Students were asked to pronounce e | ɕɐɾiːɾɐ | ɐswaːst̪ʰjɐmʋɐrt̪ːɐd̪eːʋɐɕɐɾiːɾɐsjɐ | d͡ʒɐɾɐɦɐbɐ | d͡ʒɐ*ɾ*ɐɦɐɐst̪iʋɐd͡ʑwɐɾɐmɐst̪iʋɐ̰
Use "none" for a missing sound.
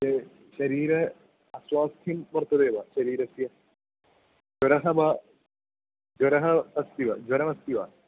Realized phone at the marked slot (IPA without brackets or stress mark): ɾ